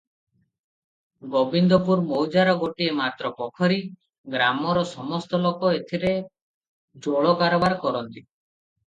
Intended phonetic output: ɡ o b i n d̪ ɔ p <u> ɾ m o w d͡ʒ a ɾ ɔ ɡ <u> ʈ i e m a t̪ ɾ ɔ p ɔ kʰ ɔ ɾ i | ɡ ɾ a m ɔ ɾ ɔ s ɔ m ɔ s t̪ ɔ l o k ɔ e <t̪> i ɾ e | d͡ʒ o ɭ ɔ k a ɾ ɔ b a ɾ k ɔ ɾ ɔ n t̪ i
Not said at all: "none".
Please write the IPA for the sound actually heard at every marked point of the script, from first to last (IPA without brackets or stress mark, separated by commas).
u, o, t̪ʰ